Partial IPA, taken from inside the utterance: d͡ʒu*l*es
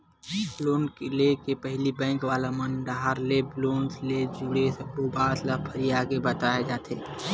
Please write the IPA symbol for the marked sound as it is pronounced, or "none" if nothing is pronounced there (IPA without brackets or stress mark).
ɽ